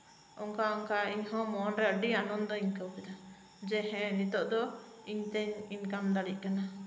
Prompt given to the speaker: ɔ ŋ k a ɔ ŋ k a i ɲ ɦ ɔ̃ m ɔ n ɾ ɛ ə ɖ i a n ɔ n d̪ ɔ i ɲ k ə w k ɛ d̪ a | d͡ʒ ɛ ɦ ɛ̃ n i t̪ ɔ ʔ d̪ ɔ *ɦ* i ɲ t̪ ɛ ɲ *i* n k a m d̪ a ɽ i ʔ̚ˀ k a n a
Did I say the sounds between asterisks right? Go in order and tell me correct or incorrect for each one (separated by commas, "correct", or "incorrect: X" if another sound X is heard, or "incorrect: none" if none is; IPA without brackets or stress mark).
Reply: incorrect: none, correct